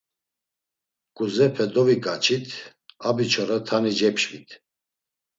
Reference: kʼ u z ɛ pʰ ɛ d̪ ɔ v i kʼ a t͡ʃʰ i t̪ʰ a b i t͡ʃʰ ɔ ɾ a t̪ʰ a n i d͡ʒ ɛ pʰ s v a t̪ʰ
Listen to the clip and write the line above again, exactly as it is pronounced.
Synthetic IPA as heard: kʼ u z ɛ pʰ ɛ d̪ ɔ v i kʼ a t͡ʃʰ i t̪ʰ a b i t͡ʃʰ ɔ ɾ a t̪ʰ a n i d͡ʒ ɛ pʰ ʃ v i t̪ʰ